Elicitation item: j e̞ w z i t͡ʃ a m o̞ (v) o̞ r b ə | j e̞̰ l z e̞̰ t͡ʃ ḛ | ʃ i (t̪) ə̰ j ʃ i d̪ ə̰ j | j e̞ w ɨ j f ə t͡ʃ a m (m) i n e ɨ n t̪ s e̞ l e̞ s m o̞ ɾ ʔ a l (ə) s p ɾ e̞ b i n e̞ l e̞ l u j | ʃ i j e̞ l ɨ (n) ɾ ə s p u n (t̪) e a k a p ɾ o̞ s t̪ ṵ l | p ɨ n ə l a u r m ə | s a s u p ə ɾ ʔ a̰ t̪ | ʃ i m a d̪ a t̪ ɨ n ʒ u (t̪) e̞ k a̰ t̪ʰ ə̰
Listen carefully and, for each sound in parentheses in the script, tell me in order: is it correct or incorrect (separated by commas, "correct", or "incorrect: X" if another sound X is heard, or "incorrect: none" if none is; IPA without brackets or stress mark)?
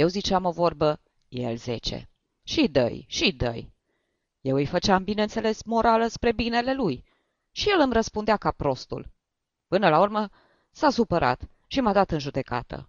correct, incorrect: d̪, incorrect: b, correct, incorrect: m, incorrect: d̪, incorrect: d̪